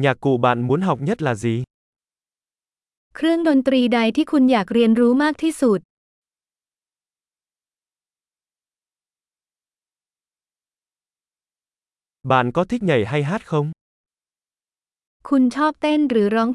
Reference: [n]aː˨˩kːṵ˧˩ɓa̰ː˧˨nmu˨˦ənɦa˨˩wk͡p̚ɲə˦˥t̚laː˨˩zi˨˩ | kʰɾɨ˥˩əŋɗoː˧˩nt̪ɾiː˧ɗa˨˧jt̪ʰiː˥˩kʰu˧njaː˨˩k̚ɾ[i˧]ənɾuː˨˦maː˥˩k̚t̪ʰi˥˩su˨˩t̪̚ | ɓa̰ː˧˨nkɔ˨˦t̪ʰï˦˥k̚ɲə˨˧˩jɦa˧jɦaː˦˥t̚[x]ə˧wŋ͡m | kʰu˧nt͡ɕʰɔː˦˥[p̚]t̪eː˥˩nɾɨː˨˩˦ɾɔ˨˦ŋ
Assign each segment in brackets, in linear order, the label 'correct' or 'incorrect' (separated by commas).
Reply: incorrect, correct, correct, correct